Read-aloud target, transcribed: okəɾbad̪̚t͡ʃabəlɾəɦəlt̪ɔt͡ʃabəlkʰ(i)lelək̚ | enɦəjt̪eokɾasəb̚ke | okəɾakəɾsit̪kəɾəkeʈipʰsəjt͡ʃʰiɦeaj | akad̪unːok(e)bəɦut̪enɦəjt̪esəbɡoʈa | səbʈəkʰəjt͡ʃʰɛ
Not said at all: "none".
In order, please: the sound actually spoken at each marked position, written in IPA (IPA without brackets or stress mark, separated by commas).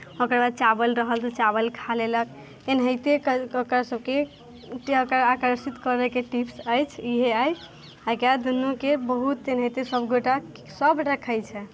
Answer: a, e